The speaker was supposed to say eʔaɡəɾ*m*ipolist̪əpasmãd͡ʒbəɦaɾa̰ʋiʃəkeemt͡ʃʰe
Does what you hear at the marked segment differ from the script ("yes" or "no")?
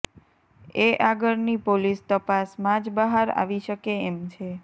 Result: yes